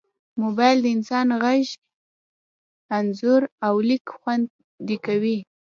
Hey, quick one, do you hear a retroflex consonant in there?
no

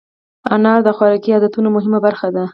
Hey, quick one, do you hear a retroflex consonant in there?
no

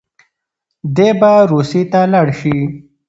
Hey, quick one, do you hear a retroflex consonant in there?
yes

